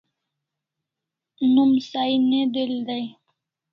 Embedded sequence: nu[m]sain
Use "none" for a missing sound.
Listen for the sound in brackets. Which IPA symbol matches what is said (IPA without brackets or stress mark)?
m